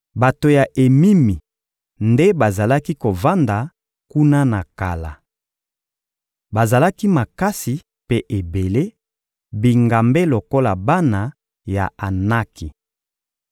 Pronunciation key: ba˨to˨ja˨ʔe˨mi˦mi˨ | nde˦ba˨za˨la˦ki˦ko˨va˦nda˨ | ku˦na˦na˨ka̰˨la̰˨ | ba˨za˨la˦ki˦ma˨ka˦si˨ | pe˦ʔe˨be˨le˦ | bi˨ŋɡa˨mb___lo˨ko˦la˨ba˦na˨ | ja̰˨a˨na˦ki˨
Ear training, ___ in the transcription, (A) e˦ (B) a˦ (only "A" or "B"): A